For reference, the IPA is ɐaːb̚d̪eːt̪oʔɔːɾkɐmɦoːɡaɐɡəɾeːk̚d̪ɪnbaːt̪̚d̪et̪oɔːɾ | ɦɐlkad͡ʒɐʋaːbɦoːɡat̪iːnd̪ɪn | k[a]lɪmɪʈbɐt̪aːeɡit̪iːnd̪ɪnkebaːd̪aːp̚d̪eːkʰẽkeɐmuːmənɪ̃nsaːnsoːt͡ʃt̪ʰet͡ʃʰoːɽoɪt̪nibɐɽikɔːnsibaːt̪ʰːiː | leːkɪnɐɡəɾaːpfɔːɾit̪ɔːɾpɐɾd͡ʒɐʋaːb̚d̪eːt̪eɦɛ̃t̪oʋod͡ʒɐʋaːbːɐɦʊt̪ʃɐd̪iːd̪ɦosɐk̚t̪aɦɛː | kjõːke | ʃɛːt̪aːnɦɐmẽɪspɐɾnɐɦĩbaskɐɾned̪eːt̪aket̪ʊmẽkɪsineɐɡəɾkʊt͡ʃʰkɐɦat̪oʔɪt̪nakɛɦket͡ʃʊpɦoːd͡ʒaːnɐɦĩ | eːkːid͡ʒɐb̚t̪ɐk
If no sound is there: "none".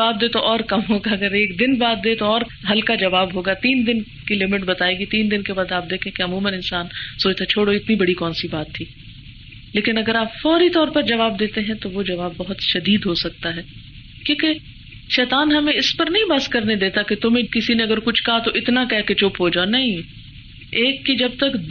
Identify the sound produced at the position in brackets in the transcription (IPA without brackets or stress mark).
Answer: i